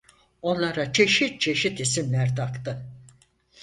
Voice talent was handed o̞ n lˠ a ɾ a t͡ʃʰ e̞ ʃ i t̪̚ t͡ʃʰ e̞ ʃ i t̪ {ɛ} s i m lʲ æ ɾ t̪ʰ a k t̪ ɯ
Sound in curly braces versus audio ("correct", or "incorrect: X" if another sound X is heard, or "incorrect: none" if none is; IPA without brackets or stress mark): incorrect: i